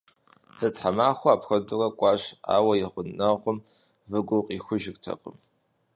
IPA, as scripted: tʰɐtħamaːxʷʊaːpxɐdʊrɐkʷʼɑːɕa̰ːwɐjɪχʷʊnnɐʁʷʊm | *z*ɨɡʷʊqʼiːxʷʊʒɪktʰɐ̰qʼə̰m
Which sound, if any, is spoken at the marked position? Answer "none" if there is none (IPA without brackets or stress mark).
v